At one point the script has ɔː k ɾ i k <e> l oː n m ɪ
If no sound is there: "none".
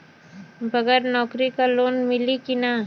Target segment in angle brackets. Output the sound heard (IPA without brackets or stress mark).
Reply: a